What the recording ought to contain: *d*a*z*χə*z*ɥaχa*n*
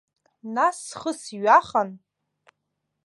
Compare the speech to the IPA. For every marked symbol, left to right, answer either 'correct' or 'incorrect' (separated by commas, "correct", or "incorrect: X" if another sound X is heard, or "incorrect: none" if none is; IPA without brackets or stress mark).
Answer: incorrect: n, incorrect: s, incorrect: s, correct